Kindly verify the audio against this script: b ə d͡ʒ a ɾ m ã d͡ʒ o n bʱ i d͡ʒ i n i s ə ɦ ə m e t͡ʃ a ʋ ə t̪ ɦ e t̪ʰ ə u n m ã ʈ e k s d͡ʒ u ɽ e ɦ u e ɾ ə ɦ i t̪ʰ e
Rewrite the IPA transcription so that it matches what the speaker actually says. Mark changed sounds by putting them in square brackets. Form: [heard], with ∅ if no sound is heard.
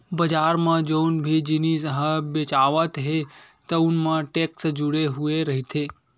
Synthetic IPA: b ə d͡ʒ a ɾ m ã d͡ʒ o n bʱ i d͡ʒ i n i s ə ɦ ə [b] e t͡ʃ a ʋ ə t̪ ɦ e [t̪] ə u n m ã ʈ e k s d͡ʒ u ɽ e ɦ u e ɾ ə ɦ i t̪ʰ e